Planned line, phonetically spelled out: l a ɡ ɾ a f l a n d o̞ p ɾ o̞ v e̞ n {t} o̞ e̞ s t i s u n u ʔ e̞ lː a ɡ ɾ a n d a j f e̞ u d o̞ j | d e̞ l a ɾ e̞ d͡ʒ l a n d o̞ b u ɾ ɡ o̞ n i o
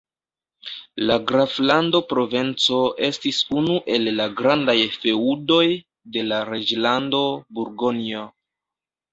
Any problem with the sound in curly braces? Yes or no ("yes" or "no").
yes